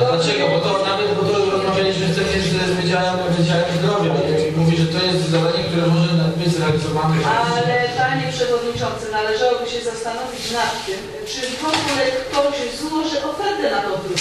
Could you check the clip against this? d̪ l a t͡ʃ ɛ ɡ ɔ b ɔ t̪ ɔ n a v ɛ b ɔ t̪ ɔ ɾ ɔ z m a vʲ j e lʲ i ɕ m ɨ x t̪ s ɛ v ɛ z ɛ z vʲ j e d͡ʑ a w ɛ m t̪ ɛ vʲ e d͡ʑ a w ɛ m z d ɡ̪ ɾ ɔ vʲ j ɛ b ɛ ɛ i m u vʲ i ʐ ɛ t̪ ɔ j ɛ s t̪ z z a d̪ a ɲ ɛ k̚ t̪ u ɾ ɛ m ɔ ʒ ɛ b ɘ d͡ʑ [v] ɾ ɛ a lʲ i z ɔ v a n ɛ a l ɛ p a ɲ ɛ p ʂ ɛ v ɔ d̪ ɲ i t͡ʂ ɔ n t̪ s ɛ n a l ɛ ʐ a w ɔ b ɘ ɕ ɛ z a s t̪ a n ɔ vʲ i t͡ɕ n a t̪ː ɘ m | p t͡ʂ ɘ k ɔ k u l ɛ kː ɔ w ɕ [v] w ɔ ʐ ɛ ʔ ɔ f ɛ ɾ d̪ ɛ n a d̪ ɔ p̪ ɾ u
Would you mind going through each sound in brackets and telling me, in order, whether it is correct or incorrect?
incorrect: z, incorrect: z

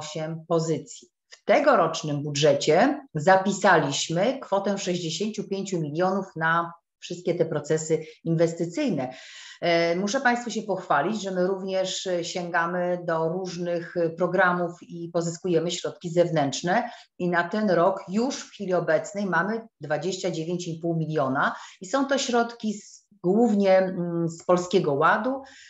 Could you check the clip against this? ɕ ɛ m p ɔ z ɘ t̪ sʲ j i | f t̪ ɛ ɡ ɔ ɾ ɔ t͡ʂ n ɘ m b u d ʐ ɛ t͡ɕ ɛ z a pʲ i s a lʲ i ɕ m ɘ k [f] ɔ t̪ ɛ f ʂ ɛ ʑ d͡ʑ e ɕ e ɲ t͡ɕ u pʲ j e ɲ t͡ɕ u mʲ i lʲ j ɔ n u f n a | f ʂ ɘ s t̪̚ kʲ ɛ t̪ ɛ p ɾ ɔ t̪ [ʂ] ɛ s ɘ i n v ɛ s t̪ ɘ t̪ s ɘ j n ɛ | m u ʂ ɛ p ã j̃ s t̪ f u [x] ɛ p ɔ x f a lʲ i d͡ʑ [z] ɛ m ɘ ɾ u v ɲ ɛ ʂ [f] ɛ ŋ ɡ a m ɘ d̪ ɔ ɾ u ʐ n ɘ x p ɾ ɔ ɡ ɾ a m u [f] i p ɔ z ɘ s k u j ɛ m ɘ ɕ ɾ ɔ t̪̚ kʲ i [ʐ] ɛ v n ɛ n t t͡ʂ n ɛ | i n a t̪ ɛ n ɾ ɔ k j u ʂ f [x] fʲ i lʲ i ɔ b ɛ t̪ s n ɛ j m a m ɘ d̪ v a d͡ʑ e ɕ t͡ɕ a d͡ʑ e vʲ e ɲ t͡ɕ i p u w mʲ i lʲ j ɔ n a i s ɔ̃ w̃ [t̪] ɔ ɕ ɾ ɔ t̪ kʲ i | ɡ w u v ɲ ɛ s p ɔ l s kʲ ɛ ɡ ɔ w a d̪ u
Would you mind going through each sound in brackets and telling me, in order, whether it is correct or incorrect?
correct, incorrect: s, incorrect: ɕ, incorrect: ʐ, incorrect: ɕ, correct, incorrect: z, correct, correct

